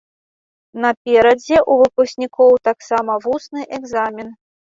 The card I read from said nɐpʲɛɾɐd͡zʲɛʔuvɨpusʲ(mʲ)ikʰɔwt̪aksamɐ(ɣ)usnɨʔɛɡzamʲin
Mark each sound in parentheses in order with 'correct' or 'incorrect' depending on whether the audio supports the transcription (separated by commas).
incorrect, incorrect